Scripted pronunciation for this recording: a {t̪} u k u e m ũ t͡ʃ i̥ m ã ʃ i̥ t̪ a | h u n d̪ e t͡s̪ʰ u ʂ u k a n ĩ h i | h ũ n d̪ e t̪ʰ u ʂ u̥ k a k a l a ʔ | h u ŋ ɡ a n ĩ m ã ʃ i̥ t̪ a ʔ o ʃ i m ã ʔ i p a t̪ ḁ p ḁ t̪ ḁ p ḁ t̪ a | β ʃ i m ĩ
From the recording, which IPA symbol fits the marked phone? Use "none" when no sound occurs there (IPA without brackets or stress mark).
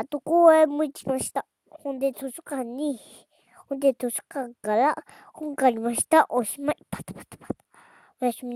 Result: t̪